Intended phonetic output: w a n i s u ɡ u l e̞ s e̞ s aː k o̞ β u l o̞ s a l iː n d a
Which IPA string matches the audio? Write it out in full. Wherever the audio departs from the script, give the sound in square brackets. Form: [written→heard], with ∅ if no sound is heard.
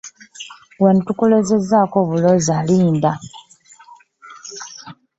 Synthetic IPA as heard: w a n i [s→t] u [ɡ→k] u l e̞ [s→z] e̞ [s→z] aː k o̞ β u l o̞ [s→z] a l iː n d a